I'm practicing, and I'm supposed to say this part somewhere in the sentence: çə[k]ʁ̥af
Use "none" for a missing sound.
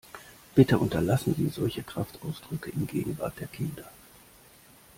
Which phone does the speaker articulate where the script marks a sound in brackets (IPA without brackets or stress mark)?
k